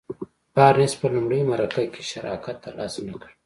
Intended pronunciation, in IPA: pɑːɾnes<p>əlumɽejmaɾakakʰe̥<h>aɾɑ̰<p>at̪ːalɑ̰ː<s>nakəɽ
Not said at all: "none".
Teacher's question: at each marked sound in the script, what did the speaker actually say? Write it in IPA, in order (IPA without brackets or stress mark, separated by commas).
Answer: p, ʃ, k, s